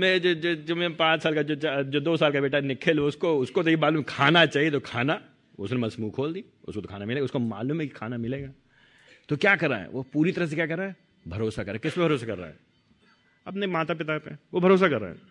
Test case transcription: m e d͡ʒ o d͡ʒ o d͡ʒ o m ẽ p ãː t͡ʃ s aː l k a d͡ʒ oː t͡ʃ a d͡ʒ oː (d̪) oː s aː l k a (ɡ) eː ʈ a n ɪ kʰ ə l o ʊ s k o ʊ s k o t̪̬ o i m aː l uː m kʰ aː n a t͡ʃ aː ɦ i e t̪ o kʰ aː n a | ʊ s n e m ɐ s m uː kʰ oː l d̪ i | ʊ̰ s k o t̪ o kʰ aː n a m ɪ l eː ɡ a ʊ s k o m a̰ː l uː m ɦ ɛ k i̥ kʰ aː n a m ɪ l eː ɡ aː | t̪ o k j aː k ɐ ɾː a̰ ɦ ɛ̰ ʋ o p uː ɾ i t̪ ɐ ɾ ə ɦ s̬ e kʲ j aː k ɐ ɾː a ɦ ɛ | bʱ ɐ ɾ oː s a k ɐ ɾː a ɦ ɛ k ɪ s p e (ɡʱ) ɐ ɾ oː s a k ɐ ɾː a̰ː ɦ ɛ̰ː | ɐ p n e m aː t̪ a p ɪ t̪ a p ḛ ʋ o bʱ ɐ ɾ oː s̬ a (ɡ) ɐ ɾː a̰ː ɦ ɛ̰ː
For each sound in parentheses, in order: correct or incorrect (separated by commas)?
correct, incorrect, incorrect, incorrect